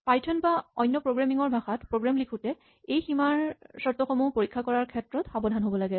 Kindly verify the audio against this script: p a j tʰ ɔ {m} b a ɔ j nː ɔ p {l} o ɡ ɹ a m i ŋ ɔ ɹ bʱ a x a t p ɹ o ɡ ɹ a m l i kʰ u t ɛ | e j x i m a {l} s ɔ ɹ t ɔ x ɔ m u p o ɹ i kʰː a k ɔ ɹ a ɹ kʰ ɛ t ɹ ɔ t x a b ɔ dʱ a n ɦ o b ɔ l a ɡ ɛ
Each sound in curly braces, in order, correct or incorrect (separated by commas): incorrect, incorrect, incorrect